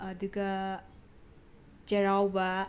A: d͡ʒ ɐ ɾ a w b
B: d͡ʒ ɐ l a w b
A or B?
A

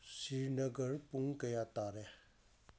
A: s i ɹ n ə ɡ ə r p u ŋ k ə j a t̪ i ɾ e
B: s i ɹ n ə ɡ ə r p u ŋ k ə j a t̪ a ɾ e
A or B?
B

